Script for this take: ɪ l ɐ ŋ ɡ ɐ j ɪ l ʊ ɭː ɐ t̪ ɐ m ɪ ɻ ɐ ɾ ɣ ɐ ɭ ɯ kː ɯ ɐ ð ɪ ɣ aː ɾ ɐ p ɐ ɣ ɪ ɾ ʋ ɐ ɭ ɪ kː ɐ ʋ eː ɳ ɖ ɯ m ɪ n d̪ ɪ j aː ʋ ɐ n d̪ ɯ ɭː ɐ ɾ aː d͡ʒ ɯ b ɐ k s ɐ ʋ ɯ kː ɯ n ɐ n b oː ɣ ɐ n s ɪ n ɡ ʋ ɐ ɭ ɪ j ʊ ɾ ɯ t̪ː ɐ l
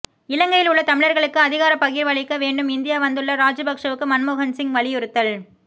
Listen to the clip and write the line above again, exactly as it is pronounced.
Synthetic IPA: ɪ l ɐ ŋ ɡ ɐ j ɪ l ʊ ɭː ɐ t̪ ɐ m ɪ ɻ ɐ ɾ ɣ ɐ ɭ ɯ kː ɯ ɐ ð ɪ ɣ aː ɾ ɐ p ɐ ɣ ɪ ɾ ʋ ɐ ɭ ɪ kː ɐ ʋ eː ɳ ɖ ɯ m ɪ n d̪ ɪ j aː ʋ ɐ n d̪ ɯ ɭː ɐ ɾ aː d͡ʒ ɯ b ɐ k ʂ ɐ ʋ ɯ kː ɯ m ɐ n m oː ɣ ɐ n s ɪ ŋ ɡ ʋ ɐ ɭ ɪ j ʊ ɾ ɯ t̪ː ɐ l

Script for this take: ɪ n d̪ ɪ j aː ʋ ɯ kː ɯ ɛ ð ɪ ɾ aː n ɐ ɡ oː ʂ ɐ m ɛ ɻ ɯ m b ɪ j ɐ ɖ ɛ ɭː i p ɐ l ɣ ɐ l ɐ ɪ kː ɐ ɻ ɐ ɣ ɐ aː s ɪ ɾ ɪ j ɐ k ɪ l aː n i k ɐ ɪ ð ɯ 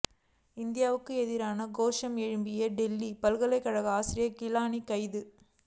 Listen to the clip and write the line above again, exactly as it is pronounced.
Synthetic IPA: ɪ n d̪ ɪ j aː ʋ ɯ kː ɯ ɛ ð ɪ ɾ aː n ɐ ɡ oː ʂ ɐ m ɛ ɻ ɯ m b ɪ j ɐ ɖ ɛ lː i p ɐ l ɣ ɐ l ɐ ɪ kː ɐ ɻ ɐ ɣ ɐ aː s ɪ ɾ ɪ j ɐ k ɪ l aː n i k ɐ ɪ ð ɯ

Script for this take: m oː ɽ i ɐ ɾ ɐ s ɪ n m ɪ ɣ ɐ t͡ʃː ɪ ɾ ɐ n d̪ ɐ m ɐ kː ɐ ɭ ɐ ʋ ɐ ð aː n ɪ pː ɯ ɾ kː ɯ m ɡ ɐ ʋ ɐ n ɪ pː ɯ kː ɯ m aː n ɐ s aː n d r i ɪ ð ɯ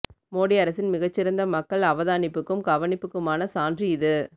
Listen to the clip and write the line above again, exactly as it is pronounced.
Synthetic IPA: m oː ɽ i ɐ ɾ ɐ s ɪ n m ɪ ɣ ɐ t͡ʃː ɪ ɾ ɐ n d̪ ɐ m ɐ kː ɐ ɭ ɐ ʋ ɐ ð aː n ɪ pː ɯ kː ɯ m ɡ ɐ ʋ ɐ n ɪ pː ɯ kː ɯ m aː n ɐ s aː n d r i ɪ ð ɯ

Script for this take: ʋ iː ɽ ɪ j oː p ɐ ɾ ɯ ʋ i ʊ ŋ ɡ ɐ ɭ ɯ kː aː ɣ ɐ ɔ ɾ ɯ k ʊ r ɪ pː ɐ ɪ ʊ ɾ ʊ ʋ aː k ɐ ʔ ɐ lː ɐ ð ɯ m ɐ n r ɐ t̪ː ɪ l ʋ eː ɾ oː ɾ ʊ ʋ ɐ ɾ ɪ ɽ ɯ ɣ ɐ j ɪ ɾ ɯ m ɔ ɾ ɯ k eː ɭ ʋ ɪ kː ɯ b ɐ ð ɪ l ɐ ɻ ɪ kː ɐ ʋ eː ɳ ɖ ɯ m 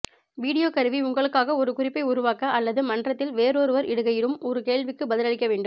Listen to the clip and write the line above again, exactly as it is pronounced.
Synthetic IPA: ʋ iː ɽ ɪ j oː k ɐ ɾ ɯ ʋ i ʊ ŋ ɡ ɐ ɭ ɯ kː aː ɣ ɐ ɔ ɾ ɯ k ʊ r ɪ pː ɐ ɪ ʊ ɾ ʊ ʋ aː k ɐ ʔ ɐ lː ɐ ð ɯ m ɐ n r ɐ t̪ː ɪ l ʋ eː ɾ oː ɾ ɯ ʋ ɐ ɾ ɪ ɽ ɯ ɣ ɐ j ɪ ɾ ɯ m ɔ ɾ ɯ k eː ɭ ʋ ɪ kː ɯ b ɐ ð ɪ l ɐ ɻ ɪ kː ɐ ʋ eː ɳ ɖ ɯ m

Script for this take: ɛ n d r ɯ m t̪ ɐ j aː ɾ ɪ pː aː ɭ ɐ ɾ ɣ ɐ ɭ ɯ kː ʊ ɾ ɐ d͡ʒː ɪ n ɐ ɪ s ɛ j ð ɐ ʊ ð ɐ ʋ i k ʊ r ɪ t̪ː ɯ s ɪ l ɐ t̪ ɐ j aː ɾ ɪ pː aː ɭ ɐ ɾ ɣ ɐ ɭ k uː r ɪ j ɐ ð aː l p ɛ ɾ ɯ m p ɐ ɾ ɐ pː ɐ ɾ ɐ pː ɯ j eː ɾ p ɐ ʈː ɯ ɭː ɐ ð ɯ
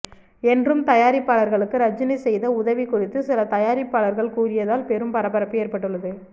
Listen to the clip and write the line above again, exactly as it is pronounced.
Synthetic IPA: ɛ n d r ɯ m t̪ ɐ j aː ɾ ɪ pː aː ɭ ɐ ɾ ɣ ɐ ɭ ɯ kː ɯ ɾ ɐ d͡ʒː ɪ n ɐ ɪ s ɛ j ð ɐ ʊ ð ɐ ʋ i k ʊ r ɪ t̪ː ɯ s ɪ l ɐ t̪ ɐ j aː ɾ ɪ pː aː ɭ ɐ ɾ ɣ ɐ ɭ k uː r ɪ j ɐ ð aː l p ɛ ɾ ɯ m p ɐ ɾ ɐ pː ɐ ɾ ɐ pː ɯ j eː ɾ p ɐ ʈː ɯ ɭː ɐ ð ɯ

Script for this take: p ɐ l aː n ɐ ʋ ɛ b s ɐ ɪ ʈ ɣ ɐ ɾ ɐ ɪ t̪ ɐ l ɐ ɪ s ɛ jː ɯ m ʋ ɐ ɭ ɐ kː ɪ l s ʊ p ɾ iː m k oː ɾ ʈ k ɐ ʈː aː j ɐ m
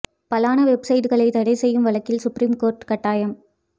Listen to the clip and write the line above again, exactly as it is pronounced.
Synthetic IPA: p ɐ l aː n ɐ ʋ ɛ b s ɐ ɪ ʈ ɣ ɐ ɭ ɐ ɪ t̪ ɐ ɽ ɐ ɪ s ɛ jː ɯ m ʋ ɐ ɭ ɐ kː ɪ l s ʊ p ɾ iː m k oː ɾ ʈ k ɐ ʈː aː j ɐ m

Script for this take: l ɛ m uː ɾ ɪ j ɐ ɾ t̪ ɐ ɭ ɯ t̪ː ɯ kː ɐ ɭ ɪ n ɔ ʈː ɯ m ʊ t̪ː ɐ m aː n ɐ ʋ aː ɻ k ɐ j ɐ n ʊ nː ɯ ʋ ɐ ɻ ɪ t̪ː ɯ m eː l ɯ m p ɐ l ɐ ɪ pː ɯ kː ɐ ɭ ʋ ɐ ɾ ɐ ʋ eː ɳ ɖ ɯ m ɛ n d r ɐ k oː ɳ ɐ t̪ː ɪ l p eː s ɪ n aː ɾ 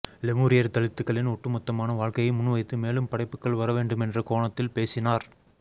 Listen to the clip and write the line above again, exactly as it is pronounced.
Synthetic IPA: l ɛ m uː ɾ ɪ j ɐ ɾ t̪ ɐ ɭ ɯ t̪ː ɯ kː ɐ ɭ ɪ n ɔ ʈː ɯ m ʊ t̪ː ɐ m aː n ɐ ʋ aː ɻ k ɐ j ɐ m ʊ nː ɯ ʋ ɐ ɪ t̪ː ɯ m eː l ɯ m p ɐ ɽ ɐ ɪ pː ɯ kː ɐ ɭ ʋ ɐ ɾ ɐ ʋ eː ɳ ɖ ɯ m ɛ n d r ɐ k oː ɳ ɐ t̪ː ɪ l p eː s ɪ n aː ɾ

